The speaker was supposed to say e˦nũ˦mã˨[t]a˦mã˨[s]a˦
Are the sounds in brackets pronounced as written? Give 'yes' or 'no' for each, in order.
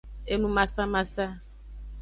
no, yes

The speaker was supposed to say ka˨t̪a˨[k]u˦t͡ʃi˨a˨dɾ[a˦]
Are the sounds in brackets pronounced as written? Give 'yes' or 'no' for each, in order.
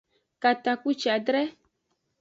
yes, no

